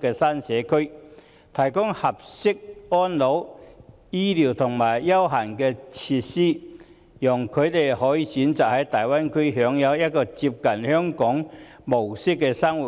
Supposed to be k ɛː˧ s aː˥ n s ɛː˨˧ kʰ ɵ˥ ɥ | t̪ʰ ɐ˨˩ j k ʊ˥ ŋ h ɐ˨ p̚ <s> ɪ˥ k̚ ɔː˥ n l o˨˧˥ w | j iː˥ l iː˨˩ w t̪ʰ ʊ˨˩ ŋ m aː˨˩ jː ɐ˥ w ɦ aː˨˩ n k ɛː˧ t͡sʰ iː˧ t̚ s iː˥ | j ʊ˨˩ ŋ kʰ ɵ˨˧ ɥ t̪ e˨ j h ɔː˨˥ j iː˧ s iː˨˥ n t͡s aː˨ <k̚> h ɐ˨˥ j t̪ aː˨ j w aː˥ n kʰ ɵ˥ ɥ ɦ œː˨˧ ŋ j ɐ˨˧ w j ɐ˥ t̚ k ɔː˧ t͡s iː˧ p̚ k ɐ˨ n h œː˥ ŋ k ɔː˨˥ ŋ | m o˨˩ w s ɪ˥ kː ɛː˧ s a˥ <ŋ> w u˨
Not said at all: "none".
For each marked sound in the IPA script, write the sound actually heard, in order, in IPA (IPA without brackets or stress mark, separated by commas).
s, k̚, ŋ